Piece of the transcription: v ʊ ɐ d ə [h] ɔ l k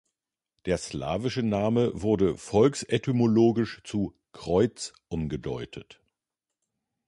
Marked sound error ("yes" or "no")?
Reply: yes